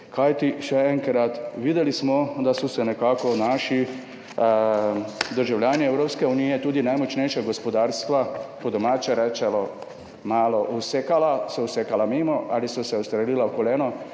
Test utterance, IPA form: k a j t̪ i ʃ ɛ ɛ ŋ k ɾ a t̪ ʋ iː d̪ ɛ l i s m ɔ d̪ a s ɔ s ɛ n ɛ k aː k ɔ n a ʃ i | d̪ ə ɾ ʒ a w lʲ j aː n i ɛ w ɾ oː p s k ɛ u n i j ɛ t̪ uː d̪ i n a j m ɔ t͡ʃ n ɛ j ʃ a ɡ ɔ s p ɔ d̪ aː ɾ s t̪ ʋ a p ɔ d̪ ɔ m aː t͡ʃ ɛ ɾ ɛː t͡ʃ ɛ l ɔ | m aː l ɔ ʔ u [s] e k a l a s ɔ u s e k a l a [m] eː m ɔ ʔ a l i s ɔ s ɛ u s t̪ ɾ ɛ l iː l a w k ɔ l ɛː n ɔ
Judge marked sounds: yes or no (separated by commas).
yes, yes